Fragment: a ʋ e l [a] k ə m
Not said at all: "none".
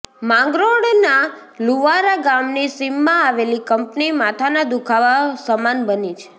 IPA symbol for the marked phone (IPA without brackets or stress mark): i